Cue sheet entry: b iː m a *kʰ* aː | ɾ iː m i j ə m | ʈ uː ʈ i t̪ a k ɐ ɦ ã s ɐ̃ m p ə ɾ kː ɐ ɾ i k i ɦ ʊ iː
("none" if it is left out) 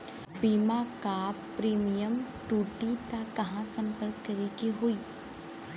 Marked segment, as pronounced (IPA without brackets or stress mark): k